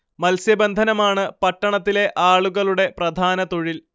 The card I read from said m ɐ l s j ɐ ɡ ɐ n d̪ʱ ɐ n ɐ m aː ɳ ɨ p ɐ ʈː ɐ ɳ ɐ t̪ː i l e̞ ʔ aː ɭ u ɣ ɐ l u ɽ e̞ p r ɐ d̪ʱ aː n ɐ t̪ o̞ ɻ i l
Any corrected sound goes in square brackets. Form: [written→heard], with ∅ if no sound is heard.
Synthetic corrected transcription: m ɐ l s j ɐ [ɡ→b] ɐ n d̪ʱ ɐ n ɐ m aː ɳ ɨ p ɐ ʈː ɐ ɳ ɐ t̪ː i l e̞ ʔ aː ɭ u ɣ ɐ [l→ɭ] u ɽ e̞ p r ɐ d̪ʱ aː n ɐ t̪ o̞ ɻ i l

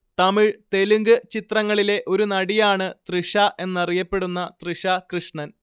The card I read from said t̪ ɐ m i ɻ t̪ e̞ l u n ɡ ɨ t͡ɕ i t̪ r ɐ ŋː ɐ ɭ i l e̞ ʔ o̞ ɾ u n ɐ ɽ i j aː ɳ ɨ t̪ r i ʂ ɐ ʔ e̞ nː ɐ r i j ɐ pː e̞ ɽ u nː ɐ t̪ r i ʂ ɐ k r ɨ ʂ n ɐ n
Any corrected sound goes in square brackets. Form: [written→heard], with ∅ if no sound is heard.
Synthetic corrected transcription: t̪ ɐ m i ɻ t̪ e̞ l u [n→ŋ] ɡ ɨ t͡ɕ i t̪ r ɐ ŋː ɐ ɭ i l e̞ ʔ o̞ ɾ u n ɐ ɽ i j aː ɳ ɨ t̪ r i ʂ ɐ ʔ e̞ nː ɐ r i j ɐ pː e̞ ɽ u nː ɐ t̪ r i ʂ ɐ k r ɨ ʂ [n→ɳ] ɐ n

